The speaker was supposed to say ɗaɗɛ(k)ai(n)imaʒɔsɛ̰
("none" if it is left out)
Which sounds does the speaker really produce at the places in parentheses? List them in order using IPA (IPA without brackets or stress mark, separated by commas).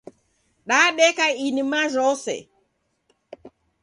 k, n